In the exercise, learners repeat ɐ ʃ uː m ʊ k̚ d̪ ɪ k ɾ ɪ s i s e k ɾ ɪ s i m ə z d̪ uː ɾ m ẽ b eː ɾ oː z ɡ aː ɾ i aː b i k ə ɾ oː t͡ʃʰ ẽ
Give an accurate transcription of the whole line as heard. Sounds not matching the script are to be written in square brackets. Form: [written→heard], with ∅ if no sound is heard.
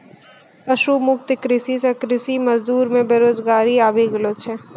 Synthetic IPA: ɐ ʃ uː m ʊ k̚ [d̪→t̪] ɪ k ɾ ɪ s i s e k ɾ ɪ s i m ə z d̪ uː ɾ m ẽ b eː ɾ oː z ɡ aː ɾ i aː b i [k→ɡ] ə [ɾ→l] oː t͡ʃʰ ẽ

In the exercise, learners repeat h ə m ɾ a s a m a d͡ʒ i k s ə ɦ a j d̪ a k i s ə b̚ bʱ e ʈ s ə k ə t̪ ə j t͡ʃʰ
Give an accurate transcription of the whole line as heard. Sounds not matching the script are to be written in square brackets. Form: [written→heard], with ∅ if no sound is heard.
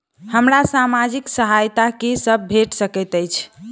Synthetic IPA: h ə m ɾ a s a m a d͡ʒ i k s ə ɦ a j [d̪→t̪] a k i s ə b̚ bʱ e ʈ s ə k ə t̪ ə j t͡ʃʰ

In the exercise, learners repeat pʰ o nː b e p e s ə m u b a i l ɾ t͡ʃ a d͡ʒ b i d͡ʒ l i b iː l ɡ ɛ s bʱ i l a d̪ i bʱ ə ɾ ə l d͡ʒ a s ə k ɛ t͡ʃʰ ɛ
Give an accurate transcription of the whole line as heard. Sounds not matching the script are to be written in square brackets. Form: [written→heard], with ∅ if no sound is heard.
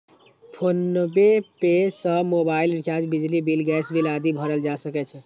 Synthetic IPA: pʰ o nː b e p e s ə m [u→o] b a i l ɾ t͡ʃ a d͡ʒ b i d͡ʒ l i b [iː→i] l ɡ ɛ s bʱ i l a d̪ i bʱ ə ɾ ə l d͡ʒ a s ə k ɛ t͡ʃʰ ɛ

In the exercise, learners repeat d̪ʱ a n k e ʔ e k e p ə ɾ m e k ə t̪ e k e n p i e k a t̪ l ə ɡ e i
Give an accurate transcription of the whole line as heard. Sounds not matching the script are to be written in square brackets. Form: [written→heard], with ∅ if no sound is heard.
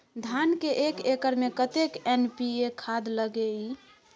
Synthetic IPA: d̪ʱ a n k e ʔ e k e [p→k] ə ɾ m e k ə t̪ e k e n p i e [k→kʰ] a [t̪→d̪] l ə ɡ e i

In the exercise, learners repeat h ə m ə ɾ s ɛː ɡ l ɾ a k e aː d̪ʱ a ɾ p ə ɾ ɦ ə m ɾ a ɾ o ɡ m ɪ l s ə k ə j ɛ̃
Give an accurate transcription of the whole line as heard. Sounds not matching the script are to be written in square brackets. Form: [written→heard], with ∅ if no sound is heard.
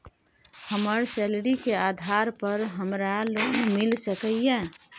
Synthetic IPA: h ə m ə ɾ s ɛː [ɡ→∅] l ɾ [a→i] k e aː d̪ʱ a ɾ p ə ɾ ɦ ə m ɾ a [ɾ→l] o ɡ m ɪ l s ə k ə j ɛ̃

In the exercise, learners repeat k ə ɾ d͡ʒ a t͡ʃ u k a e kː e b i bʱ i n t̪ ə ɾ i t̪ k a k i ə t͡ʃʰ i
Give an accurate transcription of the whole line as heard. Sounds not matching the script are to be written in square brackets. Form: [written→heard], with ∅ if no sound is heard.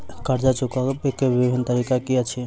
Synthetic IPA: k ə ɾ d͡ʒ a t͡ʃ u k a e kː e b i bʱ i n t̪ ə ɾ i [t̪→∅] k a k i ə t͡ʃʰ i

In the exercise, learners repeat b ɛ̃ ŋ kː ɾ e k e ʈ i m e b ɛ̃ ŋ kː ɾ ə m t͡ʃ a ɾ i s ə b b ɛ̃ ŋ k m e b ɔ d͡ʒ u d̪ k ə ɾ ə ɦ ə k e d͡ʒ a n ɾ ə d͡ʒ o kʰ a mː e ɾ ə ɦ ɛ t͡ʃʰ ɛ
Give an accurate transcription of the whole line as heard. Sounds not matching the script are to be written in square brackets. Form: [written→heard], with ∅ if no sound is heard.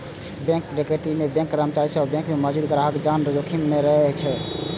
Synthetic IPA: b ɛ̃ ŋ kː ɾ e k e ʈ i m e b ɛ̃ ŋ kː ɾ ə m t͡ʃ a ɾ i s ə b b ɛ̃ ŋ k m e [b→m] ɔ d͡ʒ u d̪ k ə ɾ [ə→a] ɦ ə k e d͡ʒ a n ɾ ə d͡ʒ o kʰ [a→i] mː e ɾ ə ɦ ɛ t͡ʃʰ ɛ

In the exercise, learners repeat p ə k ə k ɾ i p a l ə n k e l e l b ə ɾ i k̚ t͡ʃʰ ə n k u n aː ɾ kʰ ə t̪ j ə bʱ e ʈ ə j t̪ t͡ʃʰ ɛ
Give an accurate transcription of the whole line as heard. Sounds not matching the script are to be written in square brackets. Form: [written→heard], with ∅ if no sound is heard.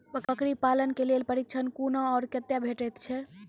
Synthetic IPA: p ə k ə k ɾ i p a l ə n k e l e l [b→p] ə ɾ i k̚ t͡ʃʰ ə n k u n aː ɾ [kʰ→k] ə t̪ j [ə→a] bʱ e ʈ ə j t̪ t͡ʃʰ ɛ

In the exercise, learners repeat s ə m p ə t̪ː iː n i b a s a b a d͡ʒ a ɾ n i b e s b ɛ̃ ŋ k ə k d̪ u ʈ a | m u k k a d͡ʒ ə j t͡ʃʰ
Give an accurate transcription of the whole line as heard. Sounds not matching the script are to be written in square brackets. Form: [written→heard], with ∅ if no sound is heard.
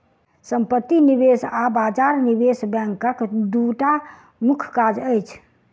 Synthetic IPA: s ə m p ə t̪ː [iː→i] n i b [a→e] s a b a d͡ʒ a ɾ n i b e s b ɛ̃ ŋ k ə k d̪ u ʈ a | m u [k→kʰ] k a d͡ʒ ə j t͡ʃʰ

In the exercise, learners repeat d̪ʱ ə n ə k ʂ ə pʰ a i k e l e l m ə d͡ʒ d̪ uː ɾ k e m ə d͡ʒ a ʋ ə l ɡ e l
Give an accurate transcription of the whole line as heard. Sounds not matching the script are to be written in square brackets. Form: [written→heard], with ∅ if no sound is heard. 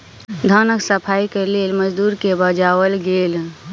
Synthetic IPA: d̪ʱ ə n ə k [ʂ→s] ə pʰ a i k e l e l m ə d͡ʒ d̪ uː ɾ k e [m→b] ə d͡ʒ a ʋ ə l ɡ e l

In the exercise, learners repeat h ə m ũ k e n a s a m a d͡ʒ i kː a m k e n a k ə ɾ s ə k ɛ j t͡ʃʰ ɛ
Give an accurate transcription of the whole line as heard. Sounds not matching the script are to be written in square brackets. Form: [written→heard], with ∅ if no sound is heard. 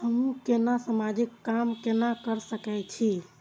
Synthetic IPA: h ə m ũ k e n a s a m a d͡ʒ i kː a m k e n a k ə ɾ s ə k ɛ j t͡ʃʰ [ɛ→i]

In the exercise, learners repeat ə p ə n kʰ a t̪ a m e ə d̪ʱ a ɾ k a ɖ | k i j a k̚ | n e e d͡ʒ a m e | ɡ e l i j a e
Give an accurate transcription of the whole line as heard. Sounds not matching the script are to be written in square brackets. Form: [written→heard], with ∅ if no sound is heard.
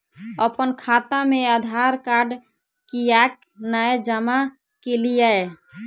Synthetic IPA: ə p ə n kʰ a t̪ a m e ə d̪ʱ a ɾ k a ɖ | k i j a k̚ | n [e→a] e d͡ʒ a m [e→a] | [ɡ→k] e l i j a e

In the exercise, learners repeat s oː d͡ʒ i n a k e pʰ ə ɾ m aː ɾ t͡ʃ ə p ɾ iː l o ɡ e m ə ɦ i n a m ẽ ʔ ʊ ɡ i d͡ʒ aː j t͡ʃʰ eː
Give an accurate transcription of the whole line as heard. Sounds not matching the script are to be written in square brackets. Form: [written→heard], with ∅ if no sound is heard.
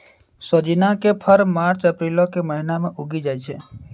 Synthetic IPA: s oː d͡ʒ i n a k e pʰ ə ɾ m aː ɾ t͡ʃ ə p ɾ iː l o [ɡ→k] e m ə ɦ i n a m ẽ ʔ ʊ ɡ i d͡ʒ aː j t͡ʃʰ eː

